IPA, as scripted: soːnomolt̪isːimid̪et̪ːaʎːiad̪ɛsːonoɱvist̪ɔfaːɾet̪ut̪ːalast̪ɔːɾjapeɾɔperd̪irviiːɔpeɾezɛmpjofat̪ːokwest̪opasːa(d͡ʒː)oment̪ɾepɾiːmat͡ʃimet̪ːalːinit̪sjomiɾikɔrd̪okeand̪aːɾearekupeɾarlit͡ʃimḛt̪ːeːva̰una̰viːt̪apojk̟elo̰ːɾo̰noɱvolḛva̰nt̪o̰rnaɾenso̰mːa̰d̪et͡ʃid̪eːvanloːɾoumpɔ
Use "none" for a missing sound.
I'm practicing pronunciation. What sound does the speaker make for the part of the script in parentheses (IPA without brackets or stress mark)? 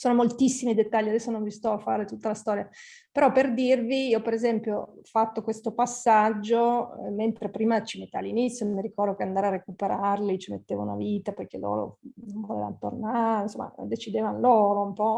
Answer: d͡ʒː